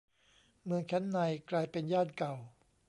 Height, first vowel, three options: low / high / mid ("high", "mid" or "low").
high